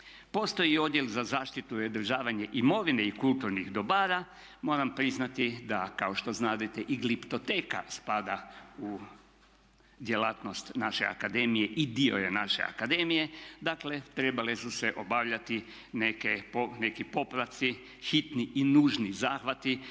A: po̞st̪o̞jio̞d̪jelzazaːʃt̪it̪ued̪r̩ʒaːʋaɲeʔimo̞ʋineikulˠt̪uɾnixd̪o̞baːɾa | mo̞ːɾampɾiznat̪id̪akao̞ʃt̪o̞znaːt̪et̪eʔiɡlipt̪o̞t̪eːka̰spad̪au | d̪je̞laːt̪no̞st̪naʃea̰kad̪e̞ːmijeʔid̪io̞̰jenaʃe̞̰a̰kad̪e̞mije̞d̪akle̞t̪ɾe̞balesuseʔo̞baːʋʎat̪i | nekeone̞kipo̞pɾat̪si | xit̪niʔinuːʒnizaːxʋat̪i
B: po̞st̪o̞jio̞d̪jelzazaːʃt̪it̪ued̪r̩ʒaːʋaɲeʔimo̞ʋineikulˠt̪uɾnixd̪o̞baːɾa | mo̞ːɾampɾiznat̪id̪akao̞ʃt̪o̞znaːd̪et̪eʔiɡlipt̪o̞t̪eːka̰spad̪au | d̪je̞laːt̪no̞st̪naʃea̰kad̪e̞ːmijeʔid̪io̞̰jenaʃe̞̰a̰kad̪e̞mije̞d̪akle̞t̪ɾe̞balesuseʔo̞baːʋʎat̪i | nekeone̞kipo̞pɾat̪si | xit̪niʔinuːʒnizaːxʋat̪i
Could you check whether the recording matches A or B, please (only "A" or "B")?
B